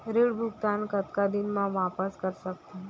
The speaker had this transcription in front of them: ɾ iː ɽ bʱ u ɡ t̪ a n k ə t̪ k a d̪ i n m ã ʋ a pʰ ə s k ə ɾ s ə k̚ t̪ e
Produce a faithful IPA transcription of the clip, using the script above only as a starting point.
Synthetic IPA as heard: ɾ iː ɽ bʱ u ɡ t̪ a n k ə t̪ k a d̪ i n m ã ʋ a p ə s k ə ɾ s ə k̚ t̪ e